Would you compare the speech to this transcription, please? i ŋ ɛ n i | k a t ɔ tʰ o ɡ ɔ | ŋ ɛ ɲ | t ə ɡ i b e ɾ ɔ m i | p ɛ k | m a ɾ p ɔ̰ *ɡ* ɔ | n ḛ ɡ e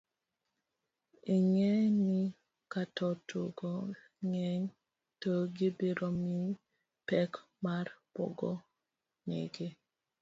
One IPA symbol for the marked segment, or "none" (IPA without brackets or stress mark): ɡ